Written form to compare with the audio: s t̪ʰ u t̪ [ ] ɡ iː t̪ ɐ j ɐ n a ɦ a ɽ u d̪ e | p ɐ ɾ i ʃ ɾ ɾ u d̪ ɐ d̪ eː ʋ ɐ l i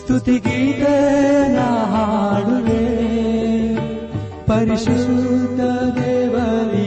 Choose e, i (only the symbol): i